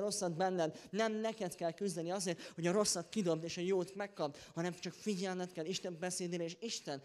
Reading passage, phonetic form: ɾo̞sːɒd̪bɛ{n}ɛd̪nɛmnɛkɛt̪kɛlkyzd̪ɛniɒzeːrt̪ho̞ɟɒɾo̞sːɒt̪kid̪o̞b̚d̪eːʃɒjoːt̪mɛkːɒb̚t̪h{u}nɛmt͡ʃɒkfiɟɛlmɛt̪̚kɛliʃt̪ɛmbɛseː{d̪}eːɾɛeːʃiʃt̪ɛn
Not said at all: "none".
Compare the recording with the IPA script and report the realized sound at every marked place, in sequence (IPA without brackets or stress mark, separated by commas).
nː, ɒ, d̪